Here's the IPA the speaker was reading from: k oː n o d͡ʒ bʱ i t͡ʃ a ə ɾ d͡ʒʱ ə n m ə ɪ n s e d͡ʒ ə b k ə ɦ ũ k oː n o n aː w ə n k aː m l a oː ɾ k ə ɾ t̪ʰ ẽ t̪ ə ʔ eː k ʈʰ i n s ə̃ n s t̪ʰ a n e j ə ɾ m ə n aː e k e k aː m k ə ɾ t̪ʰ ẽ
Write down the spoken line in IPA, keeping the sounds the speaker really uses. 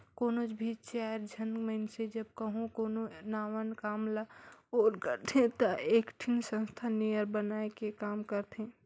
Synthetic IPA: k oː n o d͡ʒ bʱ i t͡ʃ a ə ɾ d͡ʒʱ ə n m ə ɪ n s e d͡ʒ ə b k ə ɦ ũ k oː n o n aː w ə n k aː m l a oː ɾ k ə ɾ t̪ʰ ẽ t̪ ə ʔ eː k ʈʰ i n s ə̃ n s t̪ʰ a n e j ə ɾ b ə n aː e k e k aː m k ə ɾ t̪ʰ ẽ